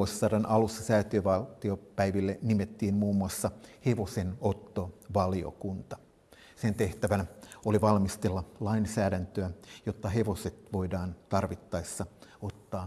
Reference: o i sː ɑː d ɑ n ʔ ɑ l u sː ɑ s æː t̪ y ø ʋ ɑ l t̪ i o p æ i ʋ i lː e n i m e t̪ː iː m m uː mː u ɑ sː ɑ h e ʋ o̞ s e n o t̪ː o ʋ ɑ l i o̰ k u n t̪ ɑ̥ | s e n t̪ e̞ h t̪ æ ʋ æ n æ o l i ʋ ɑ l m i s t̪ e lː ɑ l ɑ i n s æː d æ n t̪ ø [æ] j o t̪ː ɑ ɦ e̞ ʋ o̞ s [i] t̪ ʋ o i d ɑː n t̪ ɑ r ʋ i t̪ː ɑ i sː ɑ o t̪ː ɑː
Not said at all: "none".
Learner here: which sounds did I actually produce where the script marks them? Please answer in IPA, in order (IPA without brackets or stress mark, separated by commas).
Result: æ, e